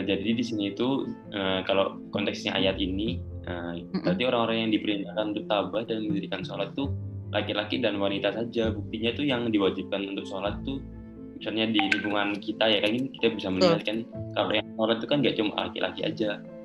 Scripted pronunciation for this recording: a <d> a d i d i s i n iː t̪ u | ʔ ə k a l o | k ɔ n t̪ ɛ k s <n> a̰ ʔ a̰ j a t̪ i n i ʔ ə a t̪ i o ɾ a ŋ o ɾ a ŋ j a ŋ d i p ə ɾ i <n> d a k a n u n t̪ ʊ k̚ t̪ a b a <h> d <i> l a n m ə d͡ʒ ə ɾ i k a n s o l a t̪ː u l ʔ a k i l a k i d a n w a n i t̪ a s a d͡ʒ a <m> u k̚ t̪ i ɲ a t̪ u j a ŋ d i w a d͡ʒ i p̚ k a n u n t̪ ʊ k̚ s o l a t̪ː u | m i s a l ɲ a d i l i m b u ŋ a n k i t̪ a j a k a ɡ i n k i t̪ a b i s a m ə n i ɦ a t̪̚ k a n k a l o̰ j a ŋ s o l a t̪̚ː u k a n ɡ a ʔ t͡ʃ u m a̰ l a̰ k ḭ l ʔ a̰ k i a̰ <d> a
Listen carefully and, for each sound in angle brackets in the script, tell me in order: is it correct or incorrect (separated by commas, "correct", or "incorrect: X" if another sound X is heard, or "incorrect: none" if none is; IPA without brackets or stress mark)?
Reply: incorrect: d͡ʒ, incorrect: ɲ, correct, correct, incorrect: a, incorrect: b, incorrect: d͡ʒ